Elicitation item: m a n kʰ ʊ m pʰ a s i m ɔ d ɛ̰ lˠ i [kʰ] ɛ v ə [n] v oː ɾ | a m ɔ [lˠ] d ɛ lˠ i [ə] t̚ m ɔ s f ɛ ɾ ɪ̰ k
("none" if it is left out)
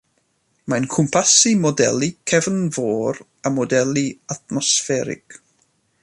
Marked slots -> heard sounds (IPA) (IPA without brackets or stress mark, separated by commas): kʰ, n, none, a